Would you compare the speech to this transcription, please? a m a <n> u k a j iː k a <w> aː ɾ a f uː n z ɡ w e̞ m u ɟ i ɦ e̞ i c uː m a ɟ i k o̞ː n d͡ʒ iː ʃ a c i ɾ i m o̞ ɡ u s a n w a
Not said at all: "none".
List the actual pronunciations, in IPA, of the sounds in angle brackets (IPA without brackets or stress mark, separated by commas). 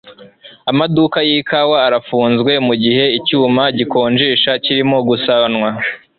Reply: d, w